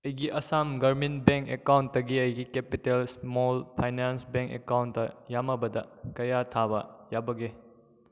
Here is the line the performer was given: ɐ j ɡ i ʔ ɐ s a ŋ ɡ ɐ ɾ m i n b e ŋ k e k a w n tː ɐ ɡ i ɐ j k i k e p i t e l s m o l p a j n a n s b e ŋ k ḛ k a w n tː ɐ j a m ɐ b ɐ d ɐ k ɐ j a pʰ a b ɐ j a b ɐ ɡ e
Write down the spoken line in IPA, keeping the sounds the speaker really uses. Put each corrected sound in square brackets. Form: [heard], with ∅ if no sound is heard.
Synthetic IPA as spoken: ɐ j ɡ i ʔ ɐ s a [m] ɡ ɐ ɾ m i n b e ŋ k e k a w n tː ɐ ɡ i ɐ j [ɡ] i k e p i t e l s m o l [pʰ] a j n a n s b e ŋ k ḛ k a w n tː ɐ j a m ɐ b ɐ d ɐ k ɐ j a [tʰ] a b ɐ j a b ɐ ɡ e